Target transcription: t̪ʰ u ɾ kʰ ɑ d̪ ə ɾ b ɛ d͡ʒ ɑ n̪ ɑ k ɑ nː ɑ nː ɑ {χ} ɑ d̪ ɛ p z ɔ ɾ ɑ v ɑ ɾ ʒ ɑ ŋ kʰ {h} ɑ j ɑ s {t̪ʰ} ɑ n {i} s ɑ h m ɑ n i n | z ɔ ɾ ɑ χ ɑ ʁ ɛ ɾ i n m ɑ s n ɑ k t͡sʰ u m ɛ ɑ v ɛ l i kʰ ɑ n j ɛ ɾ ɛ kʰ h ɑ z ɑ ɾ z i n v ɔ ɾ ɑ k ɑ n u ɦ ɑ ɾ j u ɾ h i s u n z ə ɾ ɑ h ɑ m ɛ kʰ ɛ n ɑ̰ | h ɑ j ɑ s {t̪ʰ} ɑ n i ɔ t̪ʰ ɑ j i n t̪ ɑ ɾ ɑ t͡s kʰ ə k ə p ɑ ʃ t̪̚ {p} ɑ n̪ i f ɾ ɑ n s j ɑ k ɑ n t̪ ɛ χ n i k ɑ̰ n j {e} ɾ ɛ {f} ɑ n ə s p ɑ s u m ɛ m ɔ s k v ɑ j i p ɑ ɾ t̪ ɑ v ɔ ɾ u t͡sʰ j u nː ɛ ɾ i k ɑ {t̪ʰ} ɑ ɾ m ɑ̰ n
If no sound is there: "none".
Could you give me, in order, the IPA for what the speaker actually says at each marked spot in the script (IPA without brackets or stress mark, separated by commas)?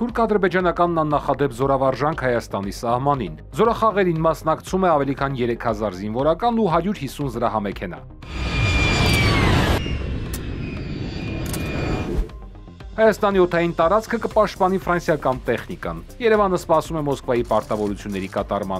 χ, h, t̪, i, t̪, p, ɛ, v, t̪